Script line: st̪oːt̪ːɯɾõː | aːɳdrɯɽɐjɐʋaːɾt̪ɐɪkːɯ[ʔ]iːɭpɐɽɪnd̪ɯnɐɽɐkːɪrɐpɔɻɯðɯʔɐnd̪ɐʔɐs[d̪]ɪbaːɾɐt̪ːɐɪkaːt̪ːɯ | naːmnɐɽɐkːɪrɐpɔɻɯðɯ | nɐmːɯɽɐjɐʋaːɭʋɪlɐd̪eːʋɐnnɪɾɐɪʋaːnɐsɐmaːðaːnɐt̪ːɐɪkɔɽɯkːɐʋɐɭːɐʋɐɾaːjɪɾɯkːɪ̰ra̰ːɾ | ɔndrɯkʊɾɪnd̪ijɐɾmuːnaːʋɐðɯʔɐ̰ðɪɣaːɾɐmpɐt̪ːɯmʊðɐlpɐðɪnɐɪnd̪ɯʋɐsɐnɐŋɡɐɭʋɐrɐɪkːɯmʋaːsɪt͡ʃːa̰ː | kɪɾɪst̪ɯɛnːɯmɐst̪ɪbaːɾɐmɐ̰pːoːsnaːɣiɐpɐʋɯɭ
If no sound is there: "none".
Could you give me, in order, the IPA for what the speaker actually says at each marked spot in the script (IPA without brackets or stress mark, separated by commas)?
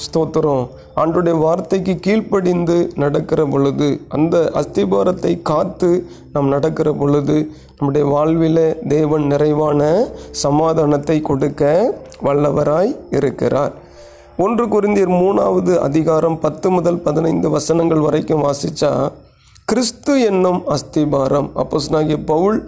k, t̪